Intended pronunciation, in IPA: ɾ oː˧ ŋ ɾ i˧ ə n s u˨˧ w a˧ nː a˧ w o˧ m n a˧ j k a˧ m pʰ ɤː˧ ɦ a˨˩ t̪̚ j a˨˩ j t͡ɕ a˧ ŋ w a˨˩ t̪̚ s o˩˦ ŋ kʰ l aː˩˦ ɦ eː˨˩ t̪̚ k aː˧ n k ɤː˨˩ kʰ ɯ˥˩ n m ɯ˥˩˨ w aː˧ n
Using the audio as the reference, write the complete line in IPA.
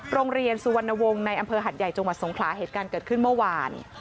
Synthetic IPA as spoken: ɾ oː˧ ŋ ɾ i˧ ə n s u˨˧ w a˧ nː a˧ w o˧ ŋ n a˧ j ʔ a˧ m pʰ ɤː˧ ɦ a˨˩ t̪̚ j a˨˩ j t͡ɕ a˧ ŋ w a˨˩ t̪̚ s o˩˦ ŋ kʰ l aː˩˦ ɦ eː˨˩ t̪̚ k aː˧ n k ɤː˨˩ kʰ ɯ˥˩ n m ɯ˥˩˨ w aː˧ n